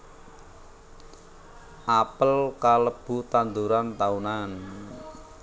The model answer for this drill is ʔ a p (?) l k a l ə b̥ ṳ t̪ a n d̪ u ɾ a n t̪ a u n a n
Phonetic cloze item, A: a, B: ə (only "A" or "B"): B